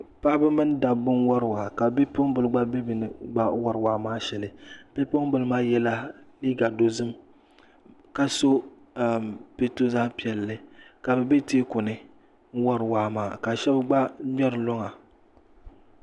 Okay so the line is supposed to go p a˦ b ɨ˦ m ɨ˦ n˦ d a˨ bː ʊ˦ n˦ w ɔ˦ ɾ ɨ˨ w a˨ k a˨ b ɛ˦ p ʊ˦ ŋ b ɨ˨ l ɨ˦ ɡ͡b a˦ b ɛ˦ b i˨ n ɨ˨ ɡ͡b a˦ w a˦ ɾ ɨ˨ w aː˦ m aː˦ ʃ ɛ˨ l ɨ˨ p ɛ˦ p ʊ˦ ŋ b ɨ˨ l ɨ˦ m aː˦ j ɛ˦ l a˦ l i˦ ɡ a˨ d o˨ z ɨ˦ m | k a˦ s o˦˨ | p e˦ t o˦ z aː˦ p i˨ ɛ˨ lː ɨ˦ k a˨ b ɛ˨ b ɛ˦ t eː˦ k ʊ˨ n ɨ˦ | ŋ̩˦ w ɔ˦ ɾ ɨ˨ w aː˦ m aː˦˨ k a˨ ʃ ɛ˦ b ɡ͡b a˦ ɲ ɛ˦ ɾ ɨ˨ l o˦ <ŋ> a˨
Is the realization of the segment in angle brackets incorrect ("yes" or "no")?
no